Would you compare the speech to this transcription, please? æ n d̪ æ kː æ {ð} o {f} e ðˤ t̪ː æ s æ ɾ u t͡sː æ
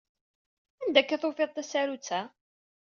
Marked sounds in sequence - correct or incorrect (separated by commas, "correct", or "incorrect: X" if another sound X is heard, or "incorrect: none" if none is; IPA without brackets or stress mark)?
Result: incorrect: θ, correct